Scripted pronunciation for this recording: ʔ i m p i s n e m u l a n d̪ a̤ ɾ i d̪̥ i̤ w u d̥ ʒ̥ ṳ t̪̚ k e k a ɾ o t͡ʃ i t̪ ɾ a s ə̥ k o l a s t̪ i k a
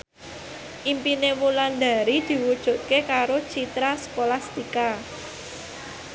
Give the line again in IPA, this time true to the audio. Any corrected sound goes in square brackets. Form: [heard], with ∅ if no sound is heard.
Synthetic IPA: ʔ i m p i [∅] n e m u l a n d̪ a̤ ɾ i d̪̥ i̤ w u d̥ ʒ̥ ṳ t̪̚ k e k a ɾ o t͡ʃ i t̪ ɾ a s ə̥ k o l a s t̪ i k a